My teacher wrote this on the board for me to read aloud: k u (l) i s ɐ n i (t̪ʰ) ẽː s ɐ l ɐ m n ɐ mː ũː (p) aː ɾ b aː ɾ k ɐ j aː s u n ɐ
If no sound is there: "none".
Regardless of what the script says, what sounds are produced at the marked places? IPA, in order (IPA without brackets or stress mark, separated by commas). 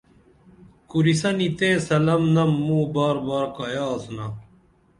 ɾ, t̪, b